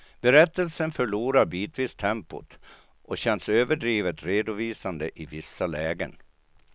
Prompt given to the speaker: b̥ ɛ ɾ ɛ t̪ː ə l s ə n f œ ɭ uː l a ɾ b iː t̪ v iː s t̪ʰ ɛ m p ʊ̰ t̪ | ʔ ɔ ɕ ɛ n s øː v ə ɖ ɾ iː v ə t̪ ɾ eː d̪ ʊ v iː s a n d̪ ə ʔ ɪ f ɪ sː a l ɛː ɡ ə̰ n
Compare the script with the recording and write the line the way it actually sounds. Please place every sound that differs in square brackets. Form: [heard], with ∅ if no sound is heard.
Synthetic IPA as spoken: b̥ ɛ ɾ ɛ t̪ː ə l s ə n f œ ɭ uː [ɾ] a ɾ b iː t̪ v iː s t̪ʰ ɛ m p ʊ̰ t̪ | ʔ ɔ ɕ ɛ n s øː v ə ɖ ɾ iː v ə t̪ ɾ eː d̪ ʊ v iː s a n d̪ ə ʔ ɪ [v] ɪ sː a l ɛː ɡ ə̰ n